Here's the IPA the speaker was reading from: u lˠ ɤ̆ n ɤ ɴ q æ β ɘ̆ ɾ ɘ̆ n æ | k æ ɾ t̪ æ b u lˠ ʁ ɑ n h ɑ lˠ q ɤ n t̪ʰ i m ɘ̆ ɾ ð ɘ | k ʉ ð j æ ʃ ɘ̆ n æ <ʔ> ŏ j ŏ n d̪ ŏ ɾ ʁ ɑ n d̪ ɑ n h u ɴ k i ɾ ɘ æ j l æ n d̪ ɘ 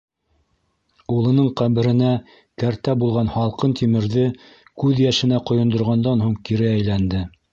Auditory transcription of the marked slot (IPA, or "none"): q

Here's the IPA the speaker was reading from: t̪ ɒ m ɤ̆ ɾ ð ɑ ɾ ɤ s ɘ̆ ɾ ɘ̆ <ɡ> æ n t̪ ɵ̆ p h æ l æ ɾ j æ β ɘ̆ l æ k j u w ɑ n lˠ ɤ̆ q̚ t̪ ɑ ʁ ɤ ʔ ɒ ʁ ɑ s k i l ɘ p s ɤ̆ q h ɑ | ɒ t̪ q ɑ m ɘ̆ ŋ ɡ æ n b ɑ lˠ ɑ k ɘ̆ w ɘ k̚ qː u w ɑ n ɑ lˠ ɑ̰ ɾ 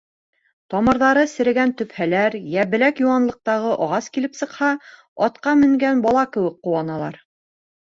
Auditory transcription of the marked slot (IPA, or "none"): ɡ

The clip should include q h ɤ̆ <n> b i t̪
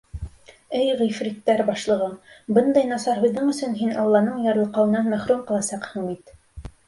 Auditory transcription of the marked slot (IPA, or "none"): ɴ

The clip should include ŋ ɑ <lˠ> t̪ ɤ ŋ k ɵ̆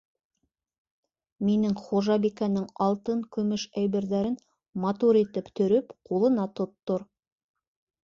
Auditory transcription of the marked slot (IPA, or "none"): lˠ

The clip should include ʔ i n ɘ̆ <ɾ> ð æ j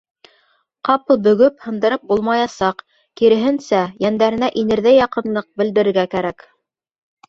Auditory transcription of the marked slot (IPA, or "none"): ɾ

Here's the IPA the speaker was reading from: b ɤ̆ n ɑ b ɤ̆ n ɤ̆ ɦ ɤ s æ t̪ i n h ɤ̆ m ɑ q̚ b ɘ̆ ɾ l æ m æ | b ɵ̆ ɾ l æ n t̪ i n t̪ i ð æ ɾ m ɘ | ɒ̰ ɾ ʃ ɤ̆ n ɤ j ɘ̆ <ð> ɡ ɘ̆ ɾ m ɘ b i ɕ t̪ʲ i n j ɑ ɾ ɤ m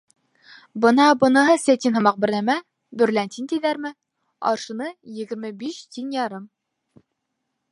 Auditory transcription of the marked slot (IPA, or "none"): none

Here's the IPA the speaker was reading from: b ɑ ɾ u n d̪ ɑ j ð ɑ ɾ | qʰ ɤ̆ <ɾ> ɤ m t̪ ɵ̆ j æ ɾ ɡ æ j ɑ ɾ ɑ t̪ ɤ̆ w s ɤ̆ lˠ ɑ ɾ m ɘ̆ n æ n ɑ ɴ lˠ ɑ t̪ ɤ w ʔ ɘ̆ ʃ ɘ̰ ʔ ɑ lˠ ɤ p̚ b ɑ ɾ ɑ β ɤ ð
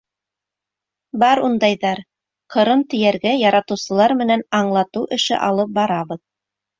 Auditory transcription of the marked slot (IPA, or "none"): ɾ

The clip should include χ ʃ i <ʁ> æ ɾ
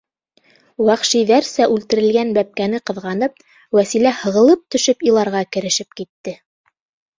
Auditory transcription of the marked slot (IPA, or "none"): ð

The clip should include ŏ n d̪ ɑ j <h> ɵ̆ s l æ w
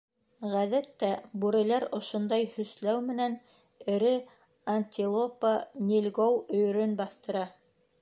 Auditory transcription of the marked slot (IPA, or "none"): h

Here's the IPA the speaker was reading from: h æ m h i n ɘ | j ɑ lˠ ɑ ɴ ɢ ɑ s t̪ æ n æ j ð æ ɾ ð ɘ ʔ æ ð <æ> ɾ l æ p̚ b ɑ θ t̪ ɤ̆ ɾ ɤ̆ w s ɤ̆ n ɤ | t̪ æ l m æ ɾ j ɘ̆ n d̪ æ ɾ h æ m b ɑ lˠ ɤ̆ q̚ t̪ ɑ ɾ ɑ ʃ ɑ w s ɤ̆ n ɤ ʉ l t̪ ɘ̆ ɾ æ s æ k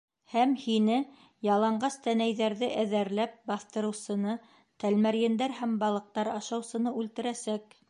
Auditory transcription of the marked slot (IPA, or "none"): æ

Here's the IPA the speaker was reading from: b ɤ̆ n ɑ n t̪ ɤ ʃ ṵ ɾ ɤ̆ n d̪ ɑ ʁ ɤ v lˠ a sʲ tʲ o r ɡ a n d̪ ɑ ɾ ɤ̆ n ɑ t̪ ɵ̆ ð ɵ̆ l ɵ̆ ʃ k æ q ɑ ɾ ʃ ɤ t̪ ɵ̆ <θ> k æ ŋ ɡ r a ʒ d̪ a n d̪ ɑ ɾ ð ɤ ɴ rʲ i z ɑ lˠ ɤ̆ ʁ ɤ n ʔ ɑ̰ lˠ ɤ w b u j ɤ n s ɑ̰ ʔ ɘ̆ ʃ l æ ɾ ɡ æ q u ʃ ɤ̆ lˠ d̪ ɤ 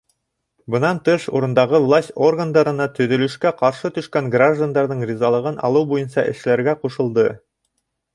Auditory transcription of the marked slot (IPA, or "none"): ʃ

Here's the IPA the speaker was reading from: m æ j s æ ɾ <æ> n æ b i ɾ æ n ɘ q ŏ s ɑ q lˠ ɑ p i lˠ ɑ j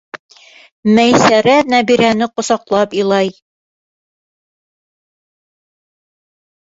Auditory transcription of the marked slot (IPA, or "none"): æ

